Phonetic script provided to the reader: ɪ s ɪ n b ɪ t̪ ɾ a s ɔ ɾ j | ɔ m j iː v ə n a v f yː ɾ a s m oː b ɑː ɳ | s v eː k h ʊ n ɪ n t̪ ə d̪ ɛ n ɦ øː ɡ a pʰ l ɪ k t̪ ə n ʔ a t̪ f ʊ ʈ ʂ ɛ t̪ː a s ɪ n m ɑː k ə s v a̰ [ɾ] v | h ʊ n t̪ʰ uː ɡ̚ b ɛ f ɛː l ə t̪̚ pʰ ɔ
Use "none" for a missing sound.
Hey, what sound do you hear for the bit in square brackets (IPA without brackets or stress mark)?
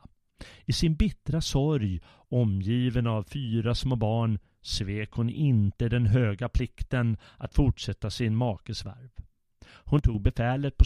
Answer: ɾ